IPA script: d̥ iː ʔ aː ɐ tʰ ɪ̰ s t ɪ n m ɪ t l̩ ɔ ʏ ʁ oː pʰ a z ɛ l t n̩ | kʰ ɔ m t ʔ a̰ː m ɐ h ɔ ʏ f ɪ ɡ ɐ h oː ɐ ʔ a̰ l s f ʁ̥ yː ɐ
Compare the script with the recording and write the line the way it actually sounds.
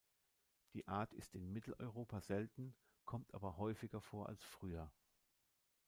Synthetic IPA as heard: d̥ iː ʔ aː ɐ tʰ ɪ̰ s t ɪ n m ɪ t l̩ ɔ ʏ ʁ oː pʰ a z ɛ l t n̩ | kʰ ɔ m t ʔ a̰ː b ɐ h ɔ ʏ f ɪ ɡ ɐ f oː ɐ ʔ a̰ l s f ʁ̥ yː ɐ

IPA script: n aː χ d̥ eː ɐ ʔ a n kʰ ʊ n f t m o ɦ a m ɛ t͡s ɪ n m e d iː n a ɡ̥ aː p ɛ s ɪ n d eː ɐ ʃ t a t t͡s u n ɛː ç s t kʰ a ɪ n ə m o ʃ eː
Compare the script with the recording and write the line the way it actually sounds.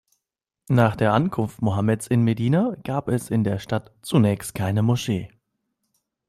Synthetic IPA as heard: n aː χ d̥ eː ɐ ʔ a n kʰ ʊ n f t m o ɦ a m ɛ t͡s ɪ n m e d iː n a ɡ̥ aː p ɛ s ɪ n d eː ɐ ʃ t a t t͡s u n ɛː ç s t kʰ a ɪ n ə m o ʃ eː

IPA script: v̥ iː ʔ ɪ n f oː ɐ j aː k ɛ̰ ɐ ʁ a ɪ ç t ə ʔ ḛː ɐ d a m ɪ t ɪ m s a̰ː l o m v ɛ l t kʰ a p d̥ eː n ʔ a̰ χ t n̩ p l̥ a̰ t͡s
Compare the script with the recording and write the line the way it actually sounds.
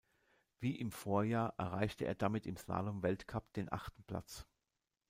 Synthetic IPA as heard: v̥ iː ʔ ɪ m f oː ɐ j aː ʔ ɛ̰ ɐ ʁ a ɪ ç t ə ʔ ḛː ɐ d a m ɪ t ɪ m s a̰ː l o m v ɛ l t kʰ a p d̥ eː n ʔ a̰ χ t n̩ p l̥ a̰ t͡s

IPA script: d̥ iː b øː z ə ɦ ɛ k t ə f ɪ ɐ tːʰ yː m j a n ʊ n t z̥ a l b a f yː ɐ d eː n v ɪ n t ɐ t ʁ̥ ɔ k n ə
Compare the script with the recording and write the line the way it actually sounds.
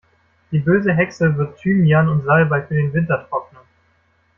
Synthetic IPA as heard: d̥ iː b øː z ə ɦ ɛ k s ə v ɪ ɐ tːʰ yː m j a n ʊ n t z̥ a l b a f yː ɐ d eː n v ɪ n t ɐ t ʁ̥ ɔ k n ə

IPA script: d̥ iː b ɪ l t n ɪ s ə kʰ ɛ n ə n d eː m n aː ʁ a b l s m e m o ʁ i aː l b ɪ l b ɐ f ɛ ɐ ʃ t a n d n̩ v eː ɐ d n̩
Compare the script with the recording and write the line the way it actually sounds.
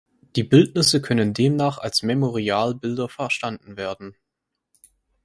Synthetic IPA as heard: d̥ iː b ɪ l t n ɪ s ə kʰ œ n ə n d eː m n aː χ a l s m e m o ʁ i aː l b ɪ l d ɐ f ɛ ɐ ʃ t a n d n̩ v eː ɐ d n̩

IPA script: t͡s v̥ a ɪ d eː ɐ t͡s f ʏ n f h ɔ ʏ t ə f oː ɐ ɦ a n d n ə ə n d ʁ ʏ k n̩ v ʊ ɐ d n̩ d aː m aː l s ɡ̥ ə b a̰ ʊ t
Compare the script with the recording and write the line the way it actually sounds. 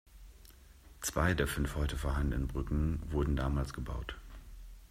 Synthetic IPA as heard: t͡s v̥ a ɪ d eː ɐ f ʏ n f h ɔ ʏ t ə f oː ɐ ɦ a n d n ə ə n b ʁ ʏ k ŋ̩ v ʊ ɐ d n̩ d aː m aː l s ɡ̥ ə b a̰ ʊ t

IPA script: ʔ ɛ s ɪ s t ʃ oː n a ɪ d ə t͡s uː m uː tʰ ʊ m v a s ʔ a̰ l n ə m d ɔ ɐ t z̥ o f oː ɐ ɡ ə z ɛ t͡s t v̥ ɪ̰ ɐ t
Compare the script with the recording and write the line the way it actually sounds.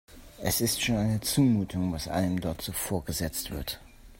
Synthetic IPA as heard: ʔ ɛ s ɪ s t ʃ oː n a ɪ n ə t͡s uː m uː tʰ ʊ ŋ v a s ʔ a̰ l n ə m d ɔ ɐ t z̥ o f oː ɐ ɡ ə z ɛ t͡s t v̥ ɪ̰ ɐ t

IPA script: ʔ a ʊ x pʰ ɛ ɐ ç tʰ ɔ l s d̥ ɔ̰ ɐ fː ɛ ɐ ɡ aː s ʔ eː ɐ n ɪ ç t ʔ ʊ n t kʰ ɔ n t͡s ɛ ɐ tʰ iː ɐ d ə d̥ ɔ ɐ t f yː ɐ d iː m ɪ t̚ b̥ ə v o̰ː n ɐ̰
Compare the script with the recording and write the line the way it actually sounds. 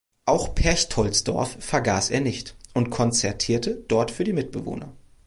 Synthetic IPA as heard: ʔ a ʊ x pʰ ɛ ɐ ç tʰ ɔ l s d̥ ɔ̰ ɐ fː ɛ ɐ ɡ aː s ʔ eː ɐ n ɪ ç t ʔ ʊ n t kʰ ɔ n t͡s ɛ ɐ tʰ iː ɐ t ə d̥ ɔ ɐ t f yː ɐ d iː m ɪ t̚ b̥ ə v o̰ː n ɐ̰

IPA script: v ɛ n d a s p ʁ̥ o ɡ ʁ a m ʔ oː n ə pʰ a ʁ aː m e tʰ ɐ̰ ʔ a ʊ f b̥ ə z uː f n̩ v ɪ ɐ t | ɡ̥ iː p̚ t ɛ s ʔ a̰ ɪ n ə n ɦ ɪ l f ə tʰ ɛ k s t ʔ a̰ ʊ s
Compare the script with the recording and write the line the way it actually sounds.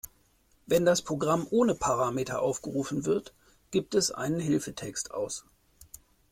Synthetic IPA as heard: v ɛ n d a s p ʁ̥ o ɡ ʁ a m ʔ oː n ə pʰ a ʁ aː m e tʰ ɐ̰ ʔ a ʊ f ɡ̥ ə ʁ uː f n̩ v ɪ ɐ t | ɡ̥ iː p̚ t ɛ s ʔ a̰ ɪ n ə n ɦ ɪ l f ə tʰ ɛ k s t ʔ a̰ ʊ s

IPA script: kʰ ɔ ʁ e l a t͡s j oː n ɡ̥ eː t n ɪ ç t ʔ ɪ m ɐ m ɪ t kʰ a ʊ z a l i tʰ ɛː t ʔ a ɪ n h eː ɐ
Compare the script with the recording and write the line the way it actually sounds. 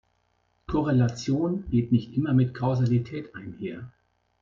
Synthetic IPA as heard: kʰ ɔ ʁ e l a t͡s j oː n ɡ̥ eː t n ɪ ç t ʔ ɪ m ɐ m ɪ t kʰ a ʊ z a l i tʰ ɛː t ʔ a ɪ n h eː ɐ

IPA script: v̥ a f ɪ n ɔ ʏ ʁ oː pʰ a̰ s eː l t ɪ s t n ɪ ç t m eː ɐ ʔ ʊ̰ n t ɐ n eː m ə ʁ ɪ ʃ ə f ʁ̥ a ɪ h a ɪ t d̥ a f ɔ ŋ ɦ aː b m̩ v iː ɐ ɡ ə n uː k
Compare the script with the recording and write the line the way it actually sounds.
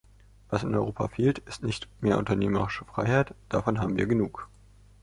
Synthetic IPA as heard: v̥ a s ɪ n ɔ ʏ ʁ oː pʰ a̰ f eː l t ɪ s t n ɪ ç t m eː ɐ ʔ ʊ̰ n t ɐ n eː m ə ʁ ɪ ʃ ə f ʁ̥ a ɪ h a ɪ t d̥ a f ɔ n ɦ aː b m̩ v iː ɐ ɡ ə n uː k

